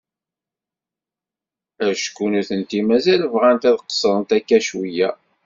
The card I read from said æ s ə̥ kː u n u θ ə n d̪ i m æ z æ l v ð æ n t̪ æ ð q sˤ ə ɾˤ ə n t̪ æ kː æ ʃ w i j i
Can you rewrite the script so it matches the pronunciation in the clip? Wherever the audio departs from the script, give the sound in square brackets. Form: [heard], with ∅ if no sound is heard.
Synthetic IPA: æ [ʃ] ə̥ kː u n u θ ə n [t̪] i m æ z æ l v [ʁ] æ n t̪ æ ð q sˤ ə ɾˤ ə n t̪ æ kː æ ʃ w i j [æ]